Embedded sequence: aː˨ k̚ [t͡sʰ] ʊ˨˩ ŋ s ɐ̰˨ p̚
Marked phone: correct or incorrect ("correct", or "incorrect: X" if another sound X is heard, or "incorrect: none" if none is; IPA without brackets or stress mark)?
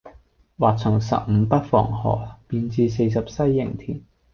correct